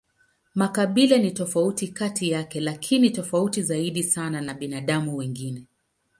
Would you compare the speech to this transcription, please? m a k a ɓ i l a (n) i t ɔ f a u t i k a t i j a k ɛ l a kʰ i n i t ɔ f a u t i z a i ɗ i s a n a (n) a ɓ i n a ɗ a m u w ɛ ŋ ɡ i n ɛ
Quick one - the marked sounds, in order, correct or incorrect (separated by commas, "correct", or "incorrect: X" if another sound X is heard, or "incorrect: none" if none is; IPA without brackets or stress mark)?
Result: correct, correct